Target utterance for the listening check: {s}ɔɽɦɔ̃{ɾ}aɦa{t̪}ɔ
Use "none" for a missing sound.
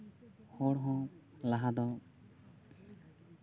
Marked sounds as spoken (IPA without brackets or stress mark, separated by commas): h, l, d̪